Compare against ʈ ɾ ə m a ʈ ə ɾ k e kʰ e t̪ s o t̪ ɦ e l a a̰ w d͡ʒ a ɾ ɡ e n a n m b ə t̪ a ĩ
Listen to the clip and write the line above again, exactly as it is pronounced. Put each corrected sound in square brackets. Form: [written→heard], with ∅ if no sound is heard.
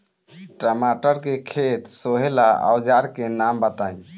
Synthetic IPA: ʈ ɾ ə m a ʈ ə ɾ k e kʰ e t̪ s o [t̪→∅] ɦ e l a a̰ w d͡ʒ a ɾ [ɡ→k] e n a [n→∅] m b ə t̪ a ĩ